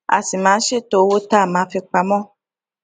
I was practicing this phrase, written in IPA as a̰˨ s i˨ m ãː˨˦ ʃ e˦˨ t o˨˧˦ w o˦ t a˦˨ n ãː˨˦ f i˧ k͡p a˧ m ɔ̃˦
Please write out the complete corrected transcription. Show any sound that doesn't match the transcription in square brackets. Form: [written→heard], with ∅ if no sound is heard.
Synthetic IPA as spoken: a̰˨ s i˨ m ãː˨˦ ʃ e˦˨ t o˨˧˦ w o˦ t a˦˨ [n→m] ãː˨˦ f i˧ k͡p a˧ m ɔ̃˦